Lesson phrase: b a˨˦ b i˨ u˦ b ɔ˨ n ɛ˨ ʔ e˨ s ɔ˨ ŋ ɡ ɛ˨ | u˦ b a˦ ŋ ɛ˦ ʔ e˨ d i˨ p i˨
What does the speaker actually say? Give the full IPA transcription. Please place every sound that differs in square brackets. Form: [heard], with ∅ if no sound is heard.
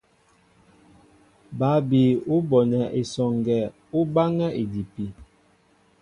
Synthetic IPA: b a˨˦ b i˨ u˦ b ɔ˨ n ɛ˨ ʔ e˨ s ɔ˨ ŋ ɡ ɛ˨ | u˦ b a˦ ŋ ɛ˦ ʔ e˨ d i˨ p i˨